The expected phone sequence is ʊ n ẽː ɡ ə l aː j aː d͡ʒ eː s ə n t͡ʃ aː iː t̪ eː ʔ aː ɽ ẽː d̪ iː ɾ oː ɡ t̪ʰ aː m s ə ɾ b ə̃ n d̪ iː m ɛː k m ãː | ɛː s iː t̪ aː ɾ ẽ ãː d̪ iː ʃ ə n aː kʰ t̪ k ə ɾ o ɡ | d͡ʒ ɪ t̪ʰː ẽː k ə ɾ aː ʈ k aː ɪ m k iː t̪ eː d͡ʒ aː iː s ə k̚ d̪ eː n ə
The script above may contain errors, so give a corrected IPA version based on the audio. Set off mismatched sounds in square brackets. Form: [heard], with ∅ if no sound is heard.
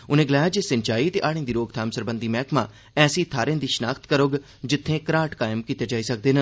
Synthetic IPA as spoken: ʊ n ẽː ɡ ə l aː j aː d͡ʒ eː s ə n t͡ʃ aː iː t̪ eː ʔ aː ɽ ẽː d̪ iː ɾ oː ɡ t̪ʰ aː m s ə ɾ b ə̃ n d̪ iː m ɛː k m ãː | ɛː s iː [t̪ʰ] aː ɾ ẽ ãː d̪ iː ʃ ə n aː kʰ t̪ k ə ɾ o ɡ | d͡ʒ ɪ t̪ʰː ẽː k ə ɾ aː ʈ k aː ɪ m k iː t̪ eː d͡ʒ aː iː s ə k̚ d̪ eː n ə